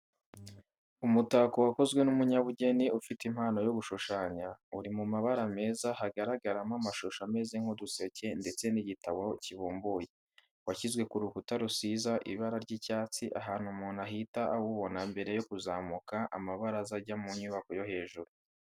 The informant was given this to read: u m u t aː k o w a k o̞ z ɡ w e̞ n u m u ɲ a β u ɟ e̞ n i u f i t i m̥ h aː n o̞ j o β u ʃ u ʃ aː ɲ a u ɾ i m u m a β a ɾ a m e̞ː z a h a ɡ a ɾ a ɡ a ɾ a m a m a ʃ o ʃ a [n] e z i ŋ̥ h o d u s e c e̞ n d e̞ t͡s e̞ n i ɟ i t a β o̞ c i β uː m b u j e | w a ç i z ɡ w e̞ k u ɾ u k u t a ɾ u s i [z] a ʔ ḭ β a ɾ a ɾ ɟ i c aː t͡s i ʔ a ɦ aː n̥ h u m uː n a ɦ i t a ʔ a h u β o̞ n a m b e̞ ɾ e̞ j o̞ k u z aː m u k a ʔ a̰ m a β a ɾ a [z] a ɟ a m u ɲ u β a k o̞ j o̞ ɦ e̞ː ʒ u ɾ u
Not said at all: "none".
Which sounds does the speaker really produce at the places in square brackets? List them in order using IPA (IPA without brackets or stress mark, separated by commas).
m, z, z